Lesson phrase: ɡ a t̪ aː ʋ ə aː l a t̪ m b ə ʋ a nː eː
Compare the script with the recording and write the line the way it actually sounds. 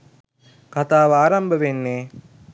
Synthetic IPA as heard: k a t̪ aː ʋ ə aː ɾ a m b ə ʋ e nː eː